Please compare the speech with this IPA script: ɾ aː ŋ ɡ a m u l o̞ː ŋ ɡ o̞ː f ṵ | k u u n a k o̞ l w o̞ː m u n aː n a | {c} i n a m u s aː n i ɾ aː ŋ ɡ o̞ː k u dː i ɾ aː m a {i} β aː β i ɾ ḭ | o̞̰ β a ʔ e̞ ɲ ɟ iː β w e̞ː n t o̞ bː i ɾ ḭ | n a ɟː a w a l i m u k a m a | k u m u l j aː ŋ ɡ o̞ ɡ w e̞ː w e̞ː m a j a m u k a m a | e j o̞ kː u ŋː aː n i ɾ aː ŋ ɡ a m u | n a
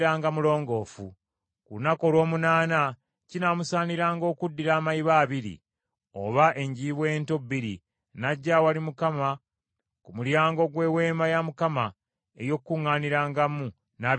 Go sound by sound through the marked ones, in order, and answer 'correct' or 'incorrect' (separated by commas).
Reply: correct, correct